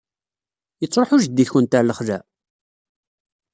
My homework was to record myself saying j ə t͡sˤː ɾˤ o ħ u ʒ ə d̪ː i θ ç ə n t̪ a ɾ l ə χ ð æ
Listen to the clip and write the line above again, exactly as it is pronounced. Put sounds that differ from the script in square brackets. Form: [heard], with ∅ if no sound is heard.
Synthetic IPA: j ə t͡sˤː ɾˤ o ħ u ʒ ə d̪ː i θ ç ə n t̪ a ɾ l ə χ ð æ